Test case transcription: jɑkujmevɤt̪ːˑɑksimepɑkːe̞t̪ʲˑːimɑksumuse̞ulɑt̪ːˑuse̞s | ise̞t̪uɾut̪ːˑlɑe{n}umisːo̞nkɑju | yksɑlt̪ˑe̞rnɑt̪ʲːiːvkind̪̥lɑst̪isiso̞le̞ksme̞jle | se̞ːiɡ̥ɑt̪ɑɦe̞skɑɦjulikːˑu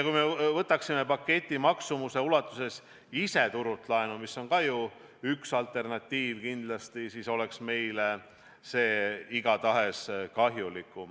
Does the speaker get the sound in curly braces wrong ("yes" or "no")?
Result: no